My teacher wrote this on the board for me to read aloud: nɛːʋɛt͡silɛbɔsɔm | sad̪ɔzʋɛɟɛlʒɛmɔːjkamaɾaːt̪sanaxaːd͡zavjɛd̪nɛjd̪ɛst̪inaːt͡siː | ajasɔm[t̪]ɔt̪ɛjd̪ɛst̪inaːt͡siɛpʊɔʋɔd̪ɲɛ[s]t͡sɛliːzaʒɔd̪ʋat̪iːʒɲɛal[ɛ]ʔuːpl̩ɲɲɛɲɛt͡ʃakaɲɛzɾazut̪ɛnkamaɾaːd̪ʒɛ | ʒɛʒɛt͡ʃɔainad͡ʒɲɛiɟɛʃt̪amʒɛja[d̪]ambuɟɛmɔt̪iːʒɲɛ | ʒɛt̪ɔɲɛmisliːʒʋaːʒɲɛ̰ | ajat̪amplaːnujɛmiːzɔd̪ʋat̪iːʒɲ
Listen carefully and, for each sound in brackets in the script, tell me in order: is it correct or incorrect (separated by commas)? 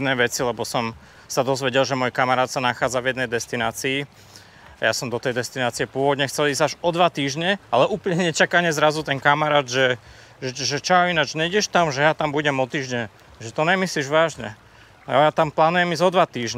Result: incorrect, incorrect, correct, incorrect